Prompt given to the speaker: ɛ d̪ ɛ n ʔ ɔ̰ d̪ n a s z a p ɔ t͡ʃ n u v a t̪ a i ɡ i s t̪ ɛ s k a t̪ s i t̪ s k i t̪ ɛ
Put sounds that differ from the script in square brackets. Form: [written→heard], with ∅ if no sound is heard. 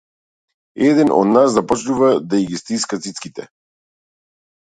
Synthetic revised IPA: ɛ d̪ ɛ n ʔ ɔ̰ d̪ n a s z a p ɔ t͡ʃ n u v a [t̪→d̪] a i ɡ i s t̪ [ɛ→i] s k a t̪ s i t̪ s k i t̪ ɛ